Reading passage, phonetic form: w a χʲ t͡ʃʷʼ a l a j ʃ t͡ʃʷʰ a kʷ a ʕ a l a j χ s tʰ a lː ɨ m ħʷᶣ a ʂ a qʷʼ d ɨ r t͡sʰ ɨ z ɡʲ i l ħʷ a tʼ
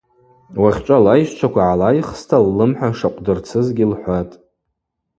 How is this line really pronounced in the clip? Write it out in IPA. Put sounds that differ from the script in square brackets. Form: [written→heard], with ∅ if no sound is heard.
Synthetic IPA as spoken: w a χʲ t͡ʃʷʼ a l a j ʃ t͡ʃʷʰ a kʷ a ʕ a l a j χ s tʰ a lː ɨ m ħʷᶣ a ʂ a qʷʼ d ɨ r t͡sʰ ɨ z ɡʲ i l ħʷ a tʼ